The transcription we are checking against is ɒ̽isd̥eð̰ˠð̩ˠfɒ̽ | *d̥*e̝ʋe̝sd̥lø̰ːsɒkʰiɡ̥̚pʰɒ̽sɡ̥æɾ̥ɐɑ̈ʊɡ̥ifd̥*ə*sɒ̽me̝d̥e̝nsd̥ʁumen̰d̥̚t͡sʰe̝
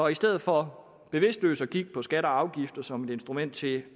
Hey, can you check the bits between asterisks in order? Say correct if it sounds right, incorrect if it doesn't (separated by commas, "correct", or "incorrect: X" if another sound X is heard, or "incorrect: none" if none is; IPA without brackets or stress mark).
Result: incorrect: b̥, incorrect: ɐ